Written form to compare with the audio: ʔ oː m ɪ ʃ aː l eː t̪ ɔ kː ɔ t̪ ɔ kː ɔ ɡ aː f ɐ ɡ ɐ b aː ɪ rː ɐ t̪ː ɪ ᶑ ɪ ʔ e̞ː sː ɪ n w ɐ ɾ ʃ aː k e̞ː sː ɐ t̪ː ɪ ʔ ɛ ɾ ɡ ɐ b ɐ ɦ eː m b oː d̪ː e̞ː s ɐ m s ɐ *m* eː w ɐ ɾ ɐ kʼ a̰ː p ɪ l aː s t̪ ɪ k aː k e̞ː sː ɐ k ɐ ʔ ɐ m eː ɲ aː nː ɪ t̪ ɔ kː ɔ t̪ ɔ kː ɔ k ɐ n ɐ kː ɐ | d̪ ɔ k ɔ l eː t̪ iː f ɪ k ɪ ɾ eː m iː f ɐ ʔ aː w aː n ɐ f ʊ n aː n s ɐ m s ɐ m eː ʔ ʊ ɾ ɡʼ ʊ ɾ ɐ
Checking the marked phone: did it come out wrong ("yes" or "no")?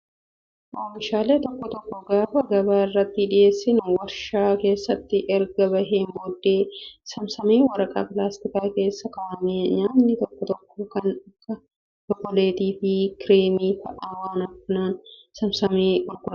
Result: no